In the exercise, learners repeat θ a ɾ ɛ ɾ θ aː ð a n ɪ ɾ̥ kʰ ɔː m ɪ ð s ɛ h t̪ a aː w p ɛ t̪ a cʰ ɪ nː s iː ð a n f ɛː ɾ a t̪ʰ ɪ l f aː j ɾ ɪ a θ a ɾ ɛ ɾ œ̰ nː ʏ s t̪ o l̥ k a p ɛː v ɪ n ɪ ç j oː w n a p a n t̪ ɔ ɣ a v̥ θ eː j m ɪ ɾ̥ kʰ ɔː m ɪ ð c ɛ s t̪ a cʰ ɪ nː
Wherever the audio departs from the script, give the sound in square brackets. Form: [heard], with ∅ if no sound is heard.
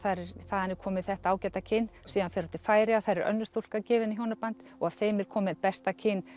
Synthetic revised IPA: θ a ɾ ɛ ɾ θ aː ð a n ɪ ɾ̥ kʰ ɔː m ɪ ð [θ] ɛ h t̪ a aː w [c] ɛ t̪ a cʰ ɪ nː s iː ð a n f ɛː ɾ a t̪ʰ ɪ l f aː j ɾ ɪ a θ a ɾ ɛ ɾ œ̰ nː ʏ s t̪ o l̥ k a [c] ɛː v ɪ n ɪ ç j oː w n a p a n t̪ ɔ ɣ a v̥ θ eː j m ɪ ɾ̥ kʰ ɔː m ɪ ð [p] ɛ s t̪ a cʰ ɪ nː